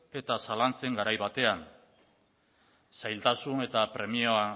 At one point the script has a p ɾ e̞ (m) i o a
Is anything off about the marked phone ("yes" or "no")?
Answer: no